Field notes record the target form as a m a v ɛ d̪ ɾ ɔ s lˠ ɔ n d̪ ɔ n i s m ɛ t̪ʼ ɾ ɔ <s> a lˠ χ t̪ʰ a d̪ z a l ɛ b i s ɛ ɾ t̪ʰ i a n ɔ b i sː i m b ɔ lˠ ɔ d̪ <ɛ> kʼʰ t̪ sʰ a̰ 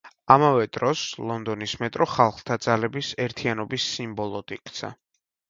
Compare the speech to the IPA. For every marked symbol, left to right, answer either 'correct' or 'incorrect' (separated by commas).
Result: incorrect, incorrect